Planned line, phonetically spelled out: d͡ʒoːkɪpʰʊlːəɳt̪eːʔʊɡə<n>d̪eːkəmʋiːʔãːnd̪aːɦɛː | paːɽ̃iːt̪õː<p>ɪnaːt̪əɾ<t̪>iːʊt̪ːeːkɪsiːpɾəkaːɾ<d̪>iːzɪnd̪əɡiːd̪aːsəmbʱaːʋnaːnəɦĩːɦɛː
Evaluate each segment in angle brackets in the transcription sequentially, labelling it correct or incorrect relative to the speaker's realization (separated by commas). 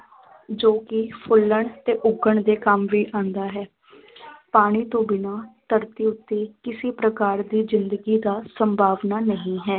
incorrect, incorrect, correct, correct